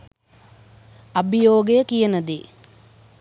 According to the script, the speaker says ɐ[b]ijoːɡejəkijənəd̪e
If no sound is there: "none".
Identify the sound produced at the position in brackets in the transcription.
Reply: b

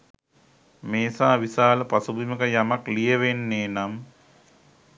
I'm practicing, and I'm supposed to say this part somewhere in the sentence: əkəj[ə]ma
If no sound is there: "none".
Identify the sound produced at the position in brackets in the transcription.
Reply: a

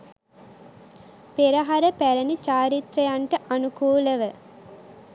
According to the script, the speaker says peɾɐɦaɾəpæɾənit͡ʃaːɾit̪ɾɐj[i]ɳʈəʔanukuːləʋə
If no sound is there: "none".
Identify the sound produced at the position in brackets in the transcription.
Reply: a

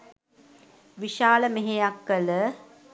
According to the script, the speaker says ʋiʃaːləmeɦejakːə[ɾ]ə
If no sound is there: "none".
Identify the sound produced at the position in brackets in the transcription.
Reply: l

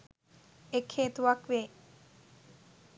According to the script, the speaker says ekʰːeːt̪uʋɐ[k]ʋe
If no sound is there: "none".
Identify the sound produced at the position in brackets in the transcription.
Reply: k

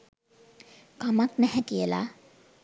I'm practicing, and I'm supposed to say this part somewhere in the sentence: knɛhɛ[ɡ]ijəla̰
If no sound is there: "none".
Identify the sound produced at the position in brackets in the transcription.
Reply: k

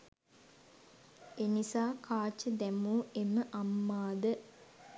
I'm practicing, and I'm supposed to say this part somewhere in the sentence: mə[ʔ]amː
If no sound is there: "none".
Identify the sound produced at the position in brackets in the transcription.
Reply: ʔ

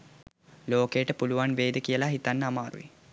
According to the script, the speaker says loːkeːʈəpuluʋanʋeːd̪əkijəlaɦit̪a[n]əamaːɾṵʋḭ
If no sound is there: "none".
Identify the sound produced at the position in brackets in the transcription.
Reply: nː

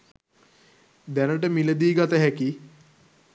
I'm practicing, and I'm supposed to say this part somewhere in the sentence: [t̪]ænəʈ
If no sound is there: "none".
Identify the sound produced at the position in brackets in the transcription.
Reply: d̪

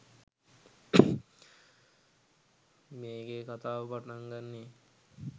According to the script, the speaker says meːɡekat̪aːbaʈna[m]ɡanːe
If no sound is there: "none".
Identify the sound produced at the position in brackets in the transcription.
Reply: ŋ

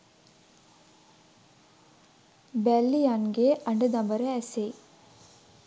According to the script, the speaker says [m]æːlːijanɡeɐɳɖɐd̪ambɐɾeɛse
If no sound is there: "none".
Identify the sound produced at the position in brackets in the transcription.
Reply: b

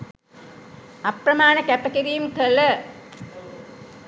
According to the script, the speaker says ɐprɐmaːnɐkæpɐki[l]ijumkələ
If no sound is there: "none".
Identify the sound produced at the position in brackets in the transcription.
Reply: ɾ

